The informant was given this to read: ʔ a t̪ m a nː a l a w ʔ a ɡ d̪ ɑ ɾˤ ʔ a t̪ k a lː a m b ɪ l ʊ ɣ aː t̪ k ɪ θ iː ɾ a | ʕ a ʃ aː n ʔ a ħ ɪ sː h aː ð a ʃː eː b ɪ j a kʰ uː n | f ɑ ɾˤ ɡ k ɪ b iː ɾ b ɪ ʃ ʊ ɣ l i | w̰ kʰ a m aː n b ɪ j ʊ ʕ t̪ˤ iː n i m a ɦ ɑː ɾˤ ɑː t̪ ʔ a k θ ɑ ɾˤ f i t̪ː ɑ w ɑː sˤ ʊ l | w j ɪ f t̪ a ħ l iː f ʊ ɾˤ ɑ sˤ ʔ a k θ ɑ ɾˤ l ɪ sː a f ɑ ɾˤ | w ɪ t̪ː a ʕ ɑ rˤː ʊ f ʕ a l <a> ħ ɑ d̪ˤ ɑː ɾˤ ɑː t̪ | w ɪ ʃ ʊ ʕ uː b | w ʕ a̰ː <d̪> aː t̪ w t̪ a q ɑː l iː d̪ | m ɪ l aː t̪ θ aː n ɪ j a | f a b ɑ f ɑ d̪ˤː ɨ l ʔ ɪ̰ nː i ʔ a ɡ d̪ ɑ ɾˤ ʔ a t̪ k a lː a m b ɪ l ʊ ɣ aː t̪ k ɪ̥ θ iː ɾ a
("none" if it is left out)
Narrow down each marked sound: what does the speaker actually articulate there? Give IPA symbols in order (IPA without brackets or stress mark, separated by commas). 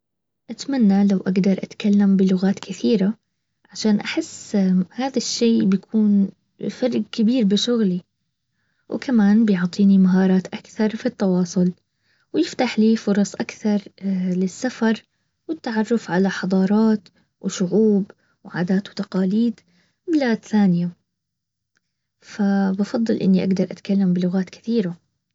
a, d̪